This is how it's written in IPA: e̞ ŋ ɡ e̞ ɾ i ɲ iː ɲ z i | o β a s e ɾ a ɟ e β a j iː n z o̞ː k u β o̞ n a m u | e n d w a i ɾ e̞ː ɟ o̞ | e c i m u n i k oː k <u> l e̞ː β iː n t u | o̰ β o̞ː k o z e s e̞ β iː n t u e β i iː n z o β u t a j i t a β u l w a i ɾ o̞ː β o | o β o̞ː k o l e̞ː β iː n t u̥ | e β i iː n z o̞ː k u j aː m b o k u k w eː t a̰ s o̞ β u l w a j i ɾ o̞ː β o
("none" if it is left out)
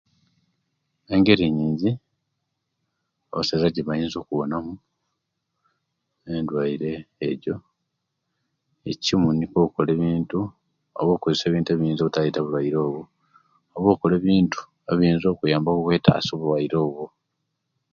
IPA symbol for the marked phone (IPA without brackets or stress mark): o